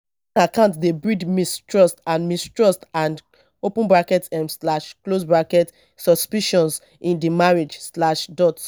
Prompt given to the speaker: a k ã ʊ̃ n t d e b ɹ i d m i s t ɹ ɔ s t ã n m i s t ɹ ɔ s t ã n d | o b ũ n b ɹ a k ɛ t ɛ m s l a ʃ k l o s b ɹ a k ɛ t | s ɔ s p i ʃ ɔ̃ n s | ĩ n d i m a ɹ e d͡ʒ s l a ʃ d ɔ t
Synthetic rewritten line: a k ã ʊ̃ n t d e b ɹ i d m i s t ɹ ɔ s t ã n m i s t ɹ ɔ s t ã n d | o p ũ n b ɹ a k ɛ t ɛ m s l a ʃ k l o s b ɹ a k ɛ t | s ɔ s p i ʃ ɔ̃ n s | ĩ n d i m a ɹ e d͡ʒ s l a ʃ d ɔ t